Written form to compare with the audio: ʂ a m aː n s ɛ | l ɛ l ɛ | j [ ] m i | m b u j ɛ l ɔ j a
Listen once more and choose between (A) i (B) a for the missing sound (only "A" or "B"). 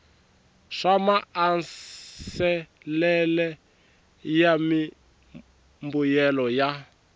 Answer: B